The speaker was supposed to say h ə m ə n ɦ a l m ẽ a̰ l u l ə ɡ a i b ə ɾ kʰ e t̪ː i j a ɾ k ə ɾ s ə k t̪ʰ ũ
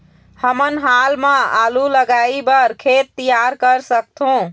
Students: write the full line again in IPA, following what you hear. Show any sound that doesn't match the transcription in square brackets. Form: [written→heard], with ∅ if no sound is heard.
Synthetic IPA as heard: h ə m ə n ɦ a l m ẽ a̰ l u l ə ɡ a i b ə ɾ kʰ e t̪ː i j a ɾ k ə ɾ s ə k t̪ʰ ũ